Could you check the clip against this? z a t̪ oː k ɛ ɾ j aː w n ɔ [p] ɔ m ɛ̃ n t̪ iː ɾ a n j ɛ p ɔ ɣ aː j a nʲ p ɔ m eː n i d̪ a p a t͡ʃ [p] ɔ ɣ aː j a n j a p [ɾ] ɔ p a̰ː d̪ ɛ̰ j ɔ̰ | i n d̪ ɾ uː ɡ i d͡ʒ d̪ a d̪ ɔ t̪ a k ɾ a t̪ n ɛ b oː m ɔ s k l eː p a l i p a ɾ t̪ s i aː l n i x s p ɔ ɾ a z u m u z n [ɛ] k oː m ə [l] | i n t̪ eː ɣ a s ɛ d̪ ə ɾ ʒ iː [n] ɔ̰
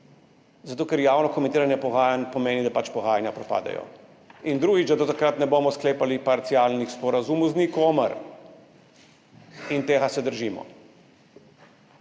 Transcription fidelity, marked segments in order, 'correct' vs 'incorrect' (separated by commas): incorrect, correct, correct, incorrect, incorrect, incorrect